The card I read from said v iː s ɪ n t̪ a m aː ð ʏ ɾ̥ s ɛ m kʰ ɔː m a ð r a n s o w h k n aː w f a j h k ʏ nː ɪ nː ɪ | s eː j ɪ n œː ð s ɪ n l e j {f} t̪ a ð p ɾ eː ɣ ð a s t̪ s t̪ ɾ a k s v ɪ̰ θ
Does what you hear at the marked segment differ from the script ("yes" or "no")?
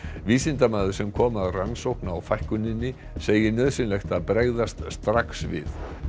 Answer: yes